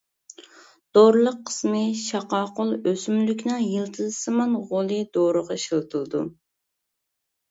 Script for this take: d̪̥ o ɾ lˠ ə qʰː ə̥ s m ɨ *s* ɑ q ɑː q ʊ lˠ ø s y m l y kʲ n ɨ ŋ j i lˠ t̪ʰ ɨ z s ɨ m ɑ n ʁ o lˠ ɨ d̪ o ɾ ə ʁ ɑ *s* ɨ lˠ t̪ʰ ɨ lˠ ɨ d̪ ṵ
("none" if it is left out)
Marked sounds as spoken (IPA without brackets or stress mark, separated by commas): ʃ, ʃ